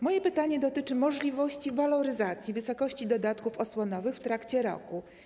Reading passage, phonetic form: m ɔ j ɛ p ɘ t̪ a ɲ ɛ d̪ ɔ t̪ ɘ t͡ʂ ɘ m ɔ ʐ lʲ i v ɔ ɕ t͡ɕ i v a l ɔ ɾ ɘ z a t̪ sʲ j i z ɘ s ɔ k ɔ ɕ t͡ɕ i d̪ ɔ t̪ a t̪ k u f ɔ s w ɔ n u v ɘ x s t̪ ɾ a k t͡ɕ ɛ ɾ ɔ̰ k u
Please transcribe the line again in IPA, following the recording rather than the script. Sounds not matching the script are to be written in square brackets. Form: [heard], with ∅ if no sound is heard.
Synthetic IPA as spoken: m ɔ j ɛ p ɘ t̪ a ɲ ɛ d̪ ɔ t̪ ɘ t͡ʂ ɘ m ɔ ʐ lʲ i v ɔ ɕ t͡ɕ i v a l ɔ ɾ ɘ z a t̪ sʲ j i [v] ɘ s ɔ k ɔ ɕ t͡ɕ i d̪ ɔ [d̪] a t̪ k u f ɔ s w ɔ n [ɔ] v ɘ x [f] t̪ ɾ a k t͡ɕ ɛ ɾ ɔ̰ k u

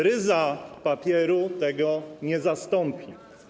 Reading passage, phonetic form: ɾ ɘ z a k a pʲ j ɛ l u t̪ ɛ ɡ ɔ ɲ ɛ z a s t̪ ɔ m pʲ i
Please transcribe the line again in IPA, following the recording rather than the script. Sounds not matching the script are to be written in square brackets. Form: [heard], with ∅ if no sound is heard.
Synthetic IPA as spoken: ɾ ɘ z a [p] a pʲ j ɛ [ɾ] u t̪ ɛ ɡ ɔ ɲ ɛ z a s t̪ ɔ m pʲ i

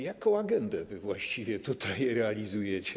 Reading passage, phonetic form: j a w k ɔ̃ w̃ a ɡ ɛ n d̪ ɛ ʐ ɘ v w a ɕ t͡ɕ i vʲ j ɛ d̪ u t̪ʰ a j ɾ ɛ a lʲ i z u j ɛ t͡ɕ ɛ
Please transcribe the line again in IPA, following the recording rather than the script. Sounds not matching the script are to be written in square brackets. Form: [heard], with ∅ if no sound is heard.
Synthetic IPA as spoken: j a [∅] k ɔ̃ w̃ a ɡ ɛ n d̪ ɛ [v] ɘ v w a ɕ t͡ɕ i vʲ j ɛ [t̪] u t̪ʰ a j ɾ ɛ a lʲ i z u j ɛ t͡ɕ ɛ

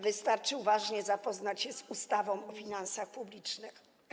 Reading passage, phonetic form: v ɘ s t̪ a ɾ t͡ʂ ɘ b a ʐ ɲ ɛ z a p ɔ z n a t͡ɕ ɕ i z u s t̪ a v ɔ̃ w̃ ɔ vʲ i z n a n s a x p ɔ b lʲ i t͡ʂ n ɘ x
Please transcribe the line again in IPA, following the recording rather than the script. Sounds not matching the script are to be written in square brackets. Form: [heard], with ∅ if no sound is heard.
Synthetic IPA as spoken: v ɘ s t̪ a ɾ t͡ʂ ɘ [v] a ʐ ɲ ɛ z a p ɔ z n a t͡ɕ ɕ [ɛ] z u s t̪ a v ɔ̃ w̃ ɔ [fʲ] i [∅] n a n s a x p [u] b lʲ i t͡ʂ n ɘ x

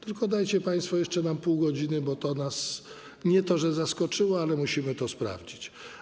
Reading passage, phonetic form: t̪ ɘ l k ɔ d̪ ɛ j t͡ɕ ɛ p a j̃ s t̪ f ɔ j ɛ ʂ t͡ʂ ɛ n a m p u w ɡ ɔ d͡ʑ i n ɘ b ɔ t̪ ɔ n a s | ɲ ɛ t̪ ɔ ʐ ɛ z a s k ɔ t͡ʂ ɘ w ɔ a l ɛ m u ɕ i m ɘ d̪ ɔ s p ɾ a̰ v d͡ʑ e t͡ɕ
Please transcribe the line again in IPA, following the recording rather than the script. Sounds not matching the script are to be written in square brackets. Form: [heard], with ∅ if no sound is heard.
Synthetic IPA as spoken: t̪ ɘ l k ɔ d̪ [a] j t͡ɕ ɛ p a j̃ s t̪ f ɔ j ɛ ʂ t͡ʂ ɛ n a m p u w ɡ ɔ d͡ʑ i n ɘ b ɔ t̪ ɔ n a s | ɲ ɛ t̪ ɔ ʐ ɛ z a s k ɔ t͡ʂ ɘ w ɔ a l ɛ m u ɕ i m ɘ [t̪] ɔ s p ɾ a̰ v d͡ʑ [i] t͡ɕ

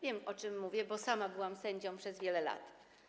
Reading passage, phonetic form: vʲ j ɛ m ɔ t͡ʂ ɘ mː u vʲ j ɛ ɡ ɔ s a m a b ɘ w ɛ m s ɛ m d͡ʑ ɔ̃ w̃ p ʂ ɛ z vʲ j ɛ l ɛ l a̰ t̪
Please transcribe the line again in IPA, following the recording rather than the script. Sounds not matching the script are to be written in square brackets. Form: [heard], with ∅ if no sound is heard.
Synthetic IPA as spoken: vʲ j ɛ m ɔ t͡ʂ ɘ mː u vʲ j ɛ [b] ɔ s a m a b ɘ w [a] m s ɛ [ɲ] d͡ʑ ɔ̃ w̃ p ʂ ɛ z vʲ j ɛ l ɛ l a̰ t̪

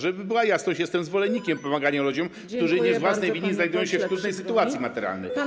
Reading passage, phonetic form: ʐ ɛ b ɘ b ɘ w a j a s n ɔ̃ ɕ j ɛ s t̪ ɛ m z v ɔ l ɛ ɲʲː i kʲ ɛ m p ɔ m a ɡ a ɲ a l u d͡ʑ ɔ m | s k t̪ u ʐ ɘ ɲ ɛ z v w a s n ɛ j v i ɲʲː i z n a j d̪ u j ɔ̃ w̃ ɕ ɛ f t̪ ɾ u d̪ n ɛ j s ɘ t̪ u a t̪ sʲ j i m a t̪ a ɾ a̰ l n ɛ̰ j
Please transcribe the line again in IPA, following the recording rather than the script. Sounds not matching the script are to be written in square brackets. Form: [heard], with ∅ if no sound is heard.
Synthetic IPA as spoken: ʐ ɛ b ɘ b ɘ w a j a s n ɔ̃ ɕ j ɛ s t̪ ɛ m z v ɔ l ɛ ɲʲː i kʲ ɛ m p ɔ m a ɡ a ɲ a l u d͡ʑ ɔ m | s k t̪ u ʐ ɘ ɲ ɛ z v w a s n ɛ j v i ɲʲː i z n a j d̪ u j ɔ̃ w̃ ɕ ɛ f t̪ ɾ u d̪ n ɛ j s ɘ t̪ u a t̪ sʲ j i m a t̪ [ɛ] ɾ a̰ l n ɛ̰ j

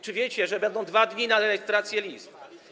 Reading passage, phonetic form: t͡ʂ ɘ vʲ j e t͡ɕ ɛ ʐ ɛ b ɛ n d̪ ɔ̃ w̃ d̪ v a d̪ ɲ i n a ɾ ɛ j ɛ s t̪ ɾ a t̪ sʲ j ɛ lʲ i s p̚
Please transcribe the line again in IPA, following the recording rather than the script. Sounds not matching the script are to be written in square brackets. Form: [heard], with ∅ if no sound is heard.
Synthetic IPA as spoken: t͡ʂ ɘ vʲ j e t͡ɕ ɛ ʐ ɛ b ɛ n d̪ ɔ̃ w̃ d̪ v a d̪ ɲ i n a ɾ ɛ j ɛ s t̪ ɾ a t̪ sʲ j ɛ lʲ i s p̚

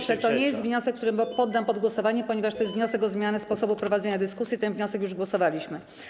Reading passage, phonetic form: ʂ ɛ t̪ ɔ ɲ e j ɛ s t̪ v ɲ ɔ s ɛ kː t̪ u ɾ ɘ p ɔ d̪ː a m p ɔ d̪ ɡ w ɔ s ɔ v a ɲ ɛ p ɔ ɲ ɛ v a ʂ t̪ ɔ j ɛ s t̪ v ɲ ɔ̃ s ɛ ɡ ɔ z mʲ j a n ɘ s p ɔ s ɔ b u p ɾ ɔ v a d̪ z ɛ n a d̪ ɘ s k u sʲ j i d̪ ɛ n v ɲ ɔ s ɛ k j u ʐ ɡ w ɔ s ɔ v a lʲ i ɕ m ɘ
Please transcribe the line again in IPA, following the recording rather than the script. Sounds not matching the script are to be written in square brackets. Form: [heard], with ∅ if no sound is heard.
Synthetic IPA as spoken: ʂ ɛ t̪ ɔ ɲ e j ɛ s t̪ v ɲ ɔ s ɛ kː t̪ u ɾ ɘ p ɔ d̪ː a m p ɔ d̪ ɡ w ɔ s ɔ v a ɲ ɛ p ɔ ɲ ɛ v a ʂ t̪ ɔ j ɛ s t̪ v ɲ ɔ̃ s ɛ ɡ ɔ z mʲ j a n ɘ s p ɔ s ɔ b u p ɾ ɔ v a d̪ z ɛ [ɲ] a d̪ ɘ s k u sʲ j i [t̪] ɛ n v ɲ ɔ s ɛ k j u ʐ ɡ w ɔ s ɔ v a lʲ i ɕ m ɘ

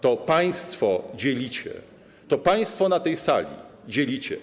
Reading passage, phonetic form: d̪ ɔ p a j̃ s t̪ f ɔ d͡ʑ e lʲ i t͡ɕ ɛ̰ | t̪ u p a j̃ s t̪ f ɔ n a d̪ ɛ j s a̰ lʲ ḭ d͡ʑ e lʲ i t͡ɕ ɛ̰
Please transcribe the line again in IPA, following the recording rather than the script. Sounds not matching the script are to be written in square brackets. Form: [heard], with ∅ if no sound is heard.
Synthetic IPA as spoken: [t̪] ɔ p a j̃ s t̪ f ɔ d͡ʑ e lʲ i t͡ɕ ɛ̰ | t̪ [ɔ] p a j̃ s t̪ f ɔ n a [t̪] ɛ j s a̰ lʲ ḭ d͡ʑ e lʲ i t͡ɕ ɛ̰

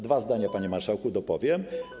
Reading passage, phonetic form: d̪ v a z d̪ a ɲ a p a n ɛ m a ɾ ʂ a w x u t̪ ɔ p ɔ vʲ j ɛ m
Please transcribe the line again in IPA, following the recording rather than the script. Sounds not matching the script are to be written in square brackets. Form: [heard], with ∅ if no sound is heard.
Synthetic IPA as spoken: d̪ v a z d̪ a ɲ a p a [ɲ] ɛ m a ɾ ʂ a w [k] u [d̪] ɔ p ɔ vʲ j ɛ m

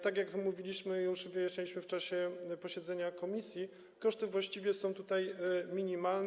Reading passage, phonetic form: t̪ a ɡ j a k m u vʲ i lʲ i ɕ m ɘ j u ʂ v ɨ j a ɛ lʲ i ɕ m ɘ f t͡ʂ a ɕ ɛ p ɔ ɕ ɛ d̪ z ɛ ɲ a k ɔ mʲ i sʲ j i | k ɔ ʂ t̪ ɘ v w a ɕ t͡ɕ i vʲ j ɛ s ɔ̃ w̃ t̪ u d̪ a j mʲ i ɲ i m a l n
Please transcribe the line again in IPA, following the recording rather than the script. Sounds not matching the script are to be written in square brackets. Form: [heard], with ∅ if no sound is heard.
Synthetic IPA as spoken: t̪ a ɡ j a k m u vʲ i lʲ i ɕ m ɘ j u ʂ v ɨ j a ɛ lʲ i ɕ m ɘ f t͡ʂ a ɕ ɛ p ɔ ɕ ɛ d̪ z ɛ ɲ a k ɔ mʲ i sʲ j i | k ɔ ʂ t̪ ɘ v w a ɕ t͡ɕ i vʲ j ɛ s ɔ̃ w̃ t̪ u [t̪] a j mʲ i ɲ i m a l n

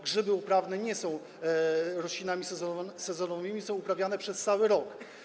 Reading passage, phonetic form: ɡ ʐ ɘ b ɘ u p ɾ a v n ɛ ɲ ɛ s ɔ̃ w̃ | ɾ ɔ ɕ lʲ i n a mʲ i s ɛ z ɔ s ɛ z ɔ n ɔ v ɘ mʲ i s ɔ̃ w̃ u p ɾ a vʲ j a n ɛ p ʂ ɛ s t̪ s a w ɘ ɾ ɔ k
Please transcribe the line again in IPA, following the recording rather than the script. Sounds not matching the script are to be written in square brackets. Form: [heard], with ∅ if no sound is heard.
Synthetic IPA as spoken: ɡ ʐ ɘ b ɘ u p ɾ a v n ɛ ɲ ɛ s ɔ̃ w̃ | ɾ ɔ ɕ lʲ i n a mʲ i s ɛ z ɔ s ɛ z ɔ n ɔ v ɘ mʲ i s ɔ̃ w̃ u p ɾ a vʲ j a n ɛ p ʂ ɛ s t̪ s a w ɘ ɾ ɔ k

